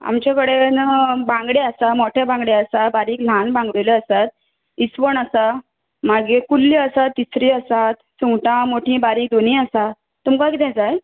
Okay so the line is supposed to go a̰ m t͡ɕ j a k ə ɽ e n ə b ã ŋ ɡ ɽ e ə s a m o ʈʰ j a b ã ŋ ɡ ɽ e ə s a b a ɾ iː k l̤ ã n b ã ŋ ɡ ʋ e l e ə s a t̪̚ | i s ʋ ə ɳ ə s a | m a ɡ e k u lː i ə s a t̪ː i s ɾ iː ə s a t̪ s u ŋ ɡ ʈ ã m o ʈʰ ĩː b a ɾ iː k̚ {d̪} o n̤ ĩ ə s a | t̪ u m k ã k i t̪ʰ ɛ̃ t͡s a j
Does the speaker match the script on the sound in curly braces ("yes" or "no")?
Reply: yes